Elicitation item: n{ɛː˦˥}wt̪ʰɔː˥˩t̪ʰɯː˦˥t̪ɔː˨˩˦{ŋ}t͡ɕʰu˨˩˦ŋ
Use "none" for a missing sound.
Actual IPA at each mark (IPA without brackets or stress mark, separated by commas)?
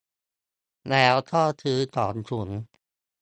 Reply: ɛː˦˥, n